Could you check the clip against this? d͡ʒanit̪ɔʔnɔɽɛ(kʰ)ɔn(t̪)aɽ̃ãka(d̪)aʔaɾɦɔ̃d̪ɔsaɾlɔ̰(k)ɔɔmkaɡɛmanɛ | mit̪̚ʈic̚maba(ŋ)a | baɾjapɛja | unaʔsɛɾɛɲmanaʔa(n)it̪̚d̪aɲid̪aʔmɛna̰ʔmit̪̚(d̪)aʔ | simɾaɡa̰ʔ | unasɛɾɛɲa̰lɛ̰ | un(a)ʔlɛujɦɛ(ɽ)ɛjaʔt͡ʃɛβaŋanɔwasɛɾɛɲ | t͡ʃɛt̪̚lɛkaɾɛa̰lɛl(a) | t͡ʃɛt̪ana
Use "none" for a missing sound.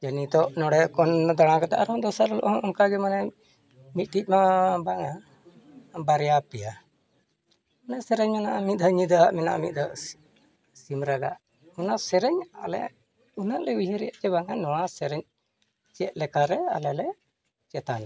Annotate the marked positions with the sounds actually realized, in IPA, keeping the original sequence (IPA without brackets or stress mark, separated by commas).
k, d̪, t̪, ʔ, ŋ, m, d̪, a, ɾ, ɛ